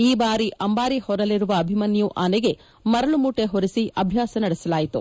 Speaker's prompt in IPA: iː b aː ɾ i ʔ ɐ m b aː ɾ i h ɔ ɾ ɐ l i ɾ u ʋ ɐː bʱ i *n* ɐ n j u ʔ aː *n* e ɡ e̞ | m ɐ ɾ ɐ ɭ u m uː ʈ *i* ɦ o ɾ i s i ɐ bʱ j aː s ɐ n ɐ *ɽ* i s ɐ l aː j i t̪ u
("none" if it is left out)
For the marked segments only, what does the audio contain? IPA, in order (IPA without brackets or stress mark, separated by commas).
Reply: m, n, e, ɽ